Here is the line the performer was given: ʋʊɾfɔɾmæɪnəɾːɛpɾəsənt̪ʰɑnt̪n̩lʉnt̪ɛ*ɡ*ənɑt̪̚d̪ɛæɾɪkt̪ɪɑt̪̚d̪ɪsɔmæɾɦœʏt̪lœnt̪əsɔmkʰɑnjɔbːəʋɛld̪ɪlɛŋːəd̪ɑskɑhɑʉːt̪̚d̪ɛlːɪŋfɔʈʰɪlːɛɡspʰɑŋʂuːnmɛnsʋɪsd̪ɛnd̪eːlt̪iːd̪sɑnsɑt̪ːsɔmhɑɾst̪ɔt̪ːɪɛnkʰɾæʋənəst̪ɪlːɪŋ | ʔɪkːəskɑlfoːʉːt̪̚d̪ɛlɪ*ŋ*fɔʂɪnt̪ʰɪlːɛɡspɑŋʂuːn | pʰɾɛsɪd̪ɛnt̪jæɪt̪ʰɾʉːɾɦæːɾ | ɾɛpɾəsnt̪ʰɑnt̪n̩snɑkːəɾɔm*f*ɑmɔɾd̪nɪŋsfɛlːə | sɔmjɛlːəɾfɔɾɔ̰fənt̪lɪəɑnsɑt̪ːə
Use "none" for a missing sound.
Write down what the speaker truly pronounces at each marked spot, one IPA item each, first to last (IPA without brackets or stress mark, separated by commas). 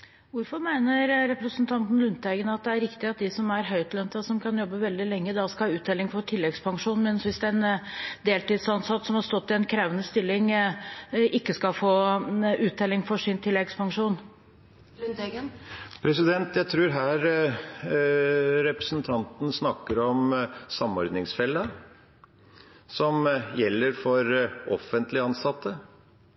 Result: ɡ, ŋ, s